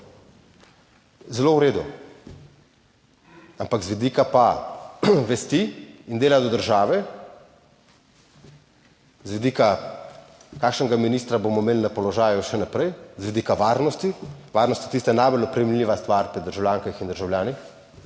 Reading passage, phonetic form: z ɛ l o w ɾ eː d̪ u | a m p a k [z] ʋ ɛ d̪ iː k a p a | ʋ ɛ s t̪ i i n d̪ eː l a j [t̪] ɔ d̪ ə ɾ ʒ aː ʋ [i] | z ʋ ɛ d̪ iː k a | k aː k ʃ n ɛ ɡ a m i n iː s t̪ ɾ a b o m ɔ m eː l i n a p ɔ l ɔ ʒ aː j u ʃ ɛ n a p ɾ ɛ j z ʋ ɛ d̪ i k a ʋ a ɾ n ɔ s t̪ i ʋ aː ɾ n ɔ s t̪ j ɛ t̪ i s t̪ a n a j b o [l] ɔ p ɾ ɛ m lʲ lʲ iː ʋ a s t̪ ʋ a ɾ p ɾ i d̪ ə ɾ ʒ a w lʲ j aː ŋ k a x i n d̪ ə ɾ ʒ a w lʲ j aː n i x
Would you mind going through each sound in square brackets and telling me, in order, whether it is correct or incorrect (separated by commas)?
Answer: correct, incorrect, incorrect, correct